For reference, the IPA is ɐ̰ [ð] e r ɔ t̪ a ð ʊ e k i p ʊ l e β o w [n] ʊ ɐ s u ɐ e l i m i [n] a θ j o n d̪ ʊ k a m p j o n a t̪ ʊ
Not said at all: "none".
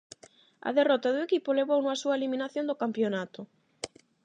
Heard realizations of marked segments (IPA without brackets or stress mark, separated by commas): ð, n, n